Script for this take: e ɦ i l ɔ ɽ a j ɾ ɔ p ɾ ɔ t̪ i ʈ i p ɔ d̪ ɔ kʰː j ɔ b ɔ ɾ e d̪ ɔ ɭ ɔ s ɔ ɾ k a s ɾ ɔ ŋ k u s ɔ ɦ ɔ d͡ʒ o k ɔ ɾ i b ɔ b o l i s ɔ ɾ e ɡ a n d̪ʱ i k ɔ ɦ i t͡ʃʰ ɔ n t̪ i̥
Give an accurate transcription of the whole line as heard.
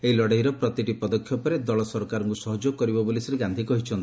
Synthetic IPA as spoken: e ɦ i l ɔ ɽ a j ɾ ɔ p ɾ ɔ t̪ i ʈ i p ɔ d̪ ɔ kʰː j ɔ p ɔ ɾ e d̪ ɔ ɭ ɔ s ɔ ɾ k a ɾ ɔ ŋ k u s ɔ ɦ ɔ d͡ʒ o k ɔ ɾ i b ɔ b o l i s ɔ ɾ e ɡ a n d̪ʱ i k ɔ ɦ i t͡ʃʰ ɔ n t̪ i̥